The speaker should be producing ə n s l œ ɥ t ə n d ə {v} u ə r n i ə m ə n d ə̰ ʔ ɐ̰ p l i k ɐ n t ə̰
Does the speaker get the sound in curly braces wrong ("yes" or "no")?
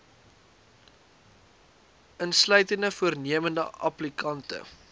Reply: yes